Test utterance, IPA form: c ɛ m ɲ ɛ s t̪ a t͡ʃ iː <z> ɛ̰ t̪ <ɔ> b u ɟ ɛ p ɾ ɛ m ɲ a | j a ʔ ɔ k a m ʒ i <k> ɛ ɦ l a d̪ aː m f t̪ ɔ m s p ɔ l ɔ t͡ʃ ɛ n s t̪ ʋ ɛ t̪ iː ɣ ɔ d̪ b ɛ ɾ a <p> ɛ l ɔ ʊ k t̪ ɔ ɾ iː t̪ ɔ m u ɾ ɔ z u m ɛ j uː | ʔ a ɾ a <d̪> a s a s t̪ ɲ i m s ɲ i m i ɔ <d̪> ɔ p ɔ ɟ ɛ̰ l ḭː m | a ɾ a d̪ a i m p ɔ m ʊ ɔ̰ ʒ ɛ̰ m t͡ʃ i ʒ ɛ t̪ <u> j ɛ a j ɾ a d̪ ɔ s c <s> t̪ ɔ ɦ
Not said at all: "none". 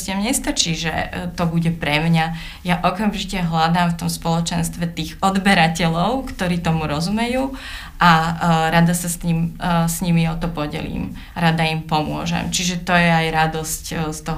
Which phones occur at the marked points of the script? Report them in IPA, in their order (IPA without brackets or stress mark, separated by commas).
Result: ʒ, ɔ, c, c, d̪, t̪, ɔ, s